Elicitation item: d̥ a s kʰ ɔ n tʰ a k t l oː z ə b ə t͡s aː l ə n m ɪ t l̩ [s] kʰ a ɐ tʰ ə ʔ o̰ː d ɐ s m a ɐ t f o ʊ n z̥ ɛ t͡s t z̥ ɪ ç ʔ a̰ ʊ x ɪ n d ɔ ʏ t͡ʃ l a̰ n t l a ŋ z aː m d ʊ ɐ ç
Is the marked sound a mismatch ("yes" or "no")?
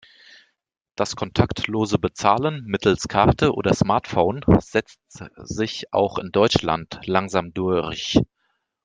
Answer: no